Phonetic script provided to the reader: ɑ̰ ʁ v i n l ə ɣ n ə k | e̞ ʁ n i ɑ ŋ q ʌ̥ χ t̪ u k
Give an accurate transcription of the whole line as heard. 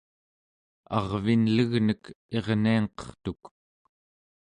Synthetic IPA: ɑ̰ ʁ v i n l ə ɣ n ə k | e̞ ʁ n i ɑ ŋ q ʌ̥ χ t̪ u k